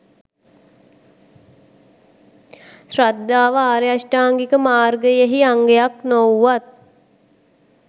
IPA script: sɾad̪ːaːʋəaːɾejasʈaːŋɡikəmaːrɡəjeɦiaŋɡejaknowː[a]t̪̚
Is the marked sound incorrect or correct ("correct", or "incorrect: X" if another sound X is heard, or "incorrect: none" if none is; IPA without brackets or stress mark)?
correct